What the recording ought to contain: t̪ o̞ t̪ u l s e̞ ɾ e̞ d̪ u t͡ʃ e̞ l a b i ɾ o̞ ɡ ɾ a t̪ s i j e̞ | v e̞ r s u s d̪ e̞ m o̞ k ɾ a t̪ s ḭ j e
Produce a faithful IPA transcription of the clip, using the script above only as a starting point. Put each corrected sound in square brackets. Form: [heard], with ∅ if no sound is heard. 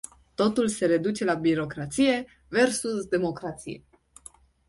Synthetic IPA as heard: t̪ o̞ t̪ u l s e̞ ɾ e̞ d̪ u t͡ʃ e̞ l a b i ɾ o̞ [k] ɾ a t̪ s i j e̞ | v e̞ r s u s d̪ e̞ m o̞ k ɾ a t̪ s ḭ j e